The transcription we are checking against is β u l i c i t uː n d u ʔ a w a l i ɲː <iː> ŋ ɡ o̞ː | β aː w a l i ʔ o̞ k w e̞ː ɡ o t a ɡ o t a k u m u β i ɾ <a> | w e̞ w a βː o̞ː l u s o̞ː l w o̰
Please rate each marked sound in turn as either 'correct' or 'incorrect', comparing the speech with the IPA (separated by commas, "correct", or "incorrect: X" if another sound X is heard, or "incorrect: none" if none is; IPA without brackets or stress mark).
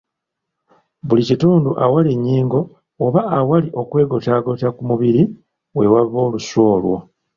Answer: correct, incorrect: i